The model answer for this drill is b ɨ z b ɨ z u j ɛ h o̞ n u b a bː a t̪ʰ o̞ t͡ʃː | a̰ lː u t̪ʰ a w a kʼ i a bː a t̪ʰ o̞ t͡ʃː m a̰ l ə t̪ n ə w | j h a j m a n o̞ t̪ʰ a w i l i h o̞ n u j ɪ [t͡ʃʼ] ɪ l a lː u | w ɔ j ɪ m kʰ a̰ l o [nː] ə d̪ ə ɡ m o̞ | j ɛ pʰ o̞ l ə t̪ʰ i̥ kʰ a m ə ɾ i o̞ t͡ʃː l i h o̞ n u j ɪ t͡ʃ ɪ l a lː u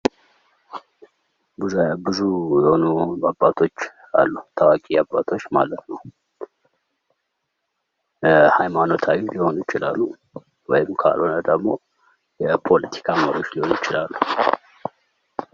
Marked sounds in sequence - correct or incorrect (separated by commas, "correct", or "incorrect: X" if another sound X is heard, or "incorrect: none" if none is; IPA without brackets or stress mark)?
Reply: incorrect: t͡ʃ, incorrect: n